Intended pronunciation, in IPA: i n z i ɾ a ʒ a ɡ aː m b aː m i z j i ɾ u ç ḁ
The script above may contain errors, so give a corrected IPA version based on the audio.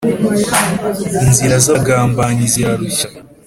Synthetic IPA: i n z i ɾ a z a ɡ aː m b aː ɲ i z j a ɾ u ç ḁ